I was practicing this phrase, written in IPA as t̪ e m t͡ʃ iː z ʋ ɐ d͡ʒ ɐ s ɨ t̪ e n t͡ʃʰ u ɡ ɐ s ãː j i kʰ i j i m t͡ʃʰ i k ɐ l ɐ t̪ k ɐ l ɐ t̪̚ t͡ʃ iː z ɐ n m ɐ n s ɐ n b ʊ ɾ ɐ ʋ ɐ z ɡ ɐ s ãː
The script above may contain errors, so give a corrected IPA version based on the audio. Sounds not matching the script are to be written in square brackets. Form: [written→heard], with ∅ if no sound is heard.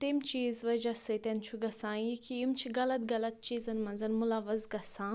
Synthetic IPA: t̪ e m t͡ʃ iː z ʋ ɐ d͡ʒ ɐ s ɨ t̪ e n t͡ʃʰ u ɡ ɐ s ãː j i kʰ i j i m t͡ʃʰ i [k→ɡ] ɐ l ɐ t̪ [k→ɡ] ɐ l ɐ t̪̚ t͡ʃ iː z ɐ n m ɐ n [s→z] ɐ n [b→m] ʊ [ɾ→l] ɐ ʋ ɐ z ɡ ɐ s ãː

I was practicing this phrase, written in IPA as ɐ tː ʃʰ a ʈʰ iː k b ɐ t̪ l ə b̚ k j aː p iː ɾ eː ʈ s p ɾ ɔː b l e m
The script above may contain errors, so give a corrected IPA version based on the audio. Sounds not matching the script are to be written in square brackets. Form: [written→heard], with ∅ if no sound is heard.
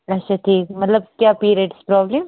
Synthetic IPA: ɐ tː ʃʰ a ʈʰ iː k [b→m] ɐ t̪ l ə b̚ k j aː p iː ɾ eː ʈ s p ɾ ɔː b l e m

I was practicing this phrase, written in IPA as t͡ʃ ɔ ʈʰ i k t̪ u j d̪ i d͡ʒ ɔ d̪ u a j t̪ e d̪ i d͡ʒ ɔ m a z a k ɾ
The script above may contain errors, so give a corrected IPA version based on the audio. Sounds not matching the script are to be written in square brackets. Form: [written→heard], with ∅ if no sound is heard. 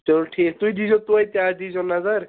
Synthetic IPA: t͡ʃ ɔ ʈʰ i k t̪ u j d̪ i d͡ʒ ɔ [d̪→t̪] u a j t̪ [e→a] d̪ i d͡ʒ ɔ [m→n] a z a [k→∅] ɾ

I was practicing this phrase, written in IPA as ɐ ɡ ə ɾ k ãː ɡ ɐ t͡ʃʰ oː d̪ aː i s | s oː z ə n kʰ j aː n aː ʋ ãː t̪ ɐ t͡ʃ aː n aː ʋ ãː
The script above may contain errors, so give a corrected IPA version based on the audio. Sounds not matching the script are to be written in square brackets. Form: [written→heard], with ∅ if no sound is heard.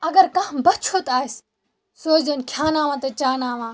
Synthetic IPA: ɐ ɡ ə ɾ k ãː [ɡ→b] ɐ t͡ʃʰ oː [d̪→t̪] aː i s | s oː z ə n kʰ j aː n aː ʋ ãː t̪ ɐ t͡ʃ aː n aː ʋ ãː

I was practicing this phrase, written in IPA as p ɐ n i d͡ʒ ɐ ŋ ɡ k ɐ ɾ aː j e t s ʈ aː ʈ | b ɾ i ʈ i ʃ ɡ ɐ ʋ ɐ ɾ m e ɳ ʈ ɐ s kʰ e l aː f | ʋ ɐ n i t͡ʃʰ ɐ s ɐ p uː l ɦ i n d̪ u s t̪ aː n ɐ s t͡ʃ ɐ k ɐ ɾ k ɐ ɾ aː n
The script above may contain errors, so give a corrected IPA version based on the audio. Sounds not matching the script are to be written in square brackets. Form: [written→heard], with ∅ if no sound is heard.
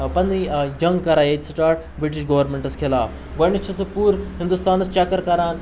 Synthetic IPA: p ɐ n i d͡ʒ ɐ ŋ ɡ k ɐ ɾ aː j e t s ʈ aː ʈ | b ɾ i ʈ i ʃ ɡ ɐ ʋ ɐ ɾ m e ɳ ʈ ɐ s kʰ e l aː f | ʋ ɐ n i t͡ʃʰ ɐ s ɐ p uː [l→ɾ] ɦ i n d̪ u s t̪ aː n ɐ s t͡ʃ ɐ k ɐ ɾ k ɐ ɾ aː n

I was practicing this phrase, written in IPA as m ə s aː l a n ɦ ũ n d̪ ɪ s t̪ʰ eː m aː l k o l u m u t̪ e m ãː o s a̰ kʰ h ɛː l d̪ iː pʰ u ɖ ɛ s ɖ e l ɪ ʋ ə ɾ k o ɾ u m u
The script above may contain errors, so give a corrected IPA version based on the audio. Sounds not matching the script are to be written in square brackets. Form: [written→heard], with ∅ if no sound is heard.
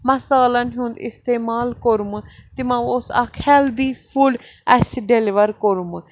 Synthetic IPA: m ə s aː l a n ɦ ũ n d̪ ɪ s [t̪ʰ→t̪] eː m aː l k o [l→ɾ] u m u t̪ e m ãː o s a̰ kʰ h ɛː l d̪ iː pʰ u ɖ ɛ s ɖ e l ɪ ʋ ə ɾ k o ɾ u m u

